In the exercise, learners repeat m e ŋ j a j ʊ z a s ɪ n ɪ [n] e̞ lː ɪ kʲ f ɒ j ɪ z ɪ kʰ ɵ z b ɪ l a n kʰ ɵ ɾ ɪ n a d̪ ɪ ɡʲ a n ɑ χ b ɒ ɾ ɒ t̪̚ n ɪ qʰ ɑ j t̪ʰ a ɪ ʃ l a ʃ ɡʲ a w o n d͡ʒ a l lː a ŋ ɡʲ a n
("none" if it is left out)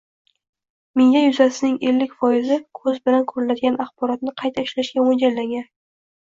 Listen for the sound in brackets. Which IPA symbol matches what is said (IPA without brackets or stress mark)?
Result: ŋ